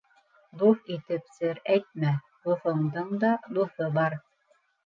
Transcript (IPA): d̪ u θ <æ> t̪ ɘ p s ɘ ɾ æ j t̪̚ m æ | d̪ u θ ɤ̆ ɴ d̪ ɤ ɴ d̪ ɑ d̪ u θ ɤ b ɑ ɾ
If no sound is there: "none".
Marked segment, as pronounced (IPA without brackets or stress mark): i